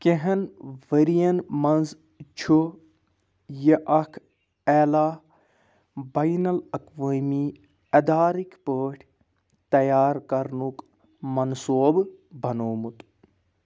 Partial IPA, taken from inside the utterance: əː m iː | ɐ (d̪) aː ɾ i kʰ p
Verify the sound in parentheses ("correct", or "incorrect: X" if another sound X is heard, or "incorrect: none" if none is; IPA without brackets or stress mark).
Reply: correct